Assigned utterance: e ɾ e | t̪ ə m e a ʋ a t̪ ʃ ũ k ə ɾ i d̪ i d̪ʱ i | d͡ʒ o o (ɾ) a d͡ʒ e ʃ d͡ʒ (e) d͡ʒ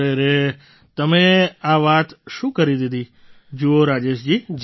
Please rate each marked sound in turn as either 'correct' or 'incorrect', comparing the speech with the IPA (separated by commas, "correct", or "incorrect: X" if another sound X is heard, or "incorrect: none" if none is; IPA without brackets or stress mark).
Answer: correct, incorrect: i